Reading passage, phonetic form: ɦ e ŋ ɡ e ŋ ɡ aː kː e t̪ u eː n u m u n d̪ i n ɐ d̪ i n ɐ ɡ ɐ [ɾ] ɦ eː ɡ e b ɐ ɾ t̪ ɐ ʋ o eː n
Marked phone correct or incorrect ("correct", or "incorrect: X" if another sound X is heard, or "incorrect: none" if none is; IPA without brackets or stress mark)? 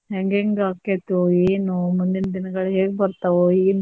incorrect: ɭ